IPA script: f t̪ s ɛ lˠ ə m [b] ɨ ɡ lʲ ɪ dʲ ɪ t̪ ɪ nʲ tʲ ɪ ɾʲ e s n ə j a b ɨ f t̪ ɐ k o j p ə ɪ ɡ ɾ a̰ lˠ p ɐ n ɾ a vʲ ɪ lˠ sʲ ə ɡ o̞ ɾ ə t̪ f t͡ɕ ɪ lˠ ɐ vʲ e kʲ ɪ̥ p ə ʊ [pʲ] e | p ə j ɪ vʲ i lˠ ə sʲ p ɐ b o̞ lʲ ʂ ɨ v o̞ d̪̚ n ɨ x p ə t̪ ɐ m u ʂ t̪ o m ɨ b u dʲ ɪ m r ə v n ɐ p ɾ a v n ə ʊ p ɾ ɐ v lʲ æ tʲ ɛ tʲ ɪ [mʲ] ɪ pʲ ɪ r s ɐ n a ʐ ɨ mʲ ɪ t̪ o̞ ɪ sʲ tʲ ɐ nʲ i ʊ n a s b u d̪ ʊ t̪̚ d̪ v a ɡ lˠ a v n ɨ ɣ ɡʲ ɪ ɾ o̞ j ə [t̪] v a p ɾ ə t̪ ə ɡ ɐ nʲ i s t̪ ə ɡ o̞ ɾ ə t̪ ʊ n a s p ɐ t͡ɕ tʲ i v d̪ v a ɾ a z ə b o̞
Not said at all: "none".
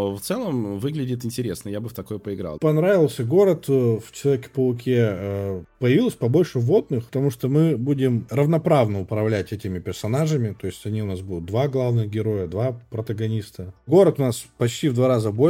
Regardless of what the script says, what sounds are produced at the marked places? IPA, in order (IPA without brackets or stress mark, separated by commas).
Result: v, kʲ, mʲ, d̪